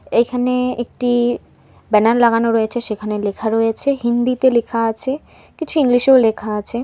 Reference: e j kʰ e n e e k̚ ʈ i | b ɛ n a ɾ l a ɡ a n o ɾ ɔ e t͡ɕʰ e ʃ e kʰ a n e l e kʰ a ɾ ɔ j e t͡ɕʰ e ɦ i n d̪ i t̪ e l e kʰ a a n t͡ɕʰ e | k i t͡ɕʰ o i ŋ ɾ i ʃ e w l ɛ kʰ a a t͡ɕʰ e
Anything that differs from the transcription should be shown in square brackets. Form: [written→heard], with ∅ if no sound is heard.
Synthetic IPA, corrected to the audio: e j kʰ [e→a] n e e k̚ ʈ i | b ɛ n a ɾ l a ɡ a n o ɾ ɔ e t͡ɕʰ e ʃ e kʰ a n e l e kʰ a ɾ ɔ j e t͡ɕʰ e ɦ i n d̪ i t̪ e l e kʰ a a [n→∅] t͡ɕʰ e | k i t͡ɕʰ [o→u] i ŋ [ɾ→l] i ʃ e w l [ɛ→e] kʰ a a t͡ɕʰ e